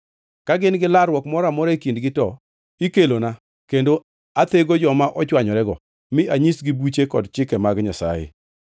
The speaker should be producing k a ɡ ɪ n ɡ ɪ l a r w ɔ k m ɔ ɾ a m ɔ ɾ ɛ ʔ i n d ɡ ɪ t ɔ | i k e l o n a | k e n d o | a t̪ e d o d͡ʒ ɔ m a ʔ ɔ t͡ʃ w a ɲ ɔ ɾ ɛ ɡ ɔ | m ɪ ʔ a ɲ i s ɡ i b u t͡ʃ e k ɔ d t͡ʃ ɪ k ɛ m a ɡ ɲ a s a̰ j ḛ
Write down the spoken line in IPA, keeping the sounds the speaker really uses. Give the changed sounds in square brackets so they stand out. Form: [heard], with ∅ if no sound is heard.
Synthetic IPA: k a ɡ ɪ n ɡ ɪ l a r w ɔ k m ɔ ɾ a m ɔ ɾ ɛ [k] i n d ɡ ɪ t ɔ | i k e l o n a | k e n d o | a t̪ e [ɡ] o d͡ʒ ɔ m a ʔ ɔ t͡ʃ w a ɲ ɔ ɾ ɛ ɡ ɔ | m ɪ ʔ a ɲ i s ɡ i b u t͡ʃ e k ɔ d t͡ʃ ɪ k ɛ m a ɡ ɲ a s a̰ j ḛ